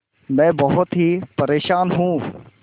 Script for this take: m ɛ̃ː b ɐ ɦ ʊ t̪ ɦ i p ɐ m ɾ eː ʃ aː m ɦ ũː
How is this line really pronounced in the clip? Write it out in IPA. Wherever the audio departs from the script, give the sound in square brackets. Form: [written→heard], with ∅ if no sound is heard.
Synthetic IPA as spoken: m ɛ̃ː b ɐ ɦ ʊ t̪ ɦ i p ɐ [m→∅] ɾ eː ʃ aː [m→n] ɦ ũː